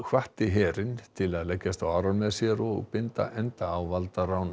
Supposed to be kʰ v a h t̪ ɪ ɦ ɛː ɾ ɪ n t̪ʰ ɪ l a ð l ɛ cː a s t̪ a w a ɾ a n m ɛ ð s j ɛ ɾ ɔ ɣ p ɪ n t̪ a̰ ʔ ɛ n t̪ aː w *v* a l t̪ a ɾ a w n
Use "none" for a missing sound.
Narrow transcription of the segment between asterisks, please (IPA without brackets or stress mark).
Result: v